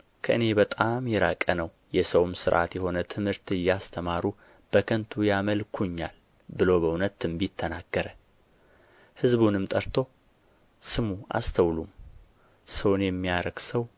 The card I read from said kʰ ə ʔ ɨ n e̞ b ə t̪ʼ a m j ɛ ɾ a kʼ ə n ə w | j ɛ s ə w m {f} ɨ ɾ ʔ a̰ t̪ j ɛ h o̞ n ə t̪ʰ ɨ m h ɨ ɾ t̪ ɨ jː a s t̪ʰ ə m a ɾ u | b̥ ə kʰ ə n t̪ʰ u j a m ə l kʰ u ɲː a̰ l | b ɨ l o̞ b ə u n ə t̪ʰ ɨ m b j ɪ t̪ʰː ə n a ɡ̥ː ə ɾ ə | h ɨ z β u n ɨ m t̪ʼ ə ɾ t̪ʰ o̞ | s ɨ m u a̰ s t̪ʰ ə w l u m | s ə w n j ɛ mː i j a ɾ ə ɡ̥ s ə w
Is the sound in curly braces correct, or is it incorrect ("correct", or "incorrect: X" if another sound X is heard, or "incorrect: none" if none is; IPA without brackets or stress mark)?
incorrect: s